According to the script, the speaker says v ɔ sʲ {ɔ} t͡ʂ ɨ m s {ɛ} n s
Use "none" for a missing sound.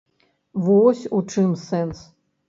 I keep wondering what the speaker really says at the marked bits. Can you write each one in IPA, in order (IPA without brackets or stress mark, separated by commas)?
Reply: u, ɛ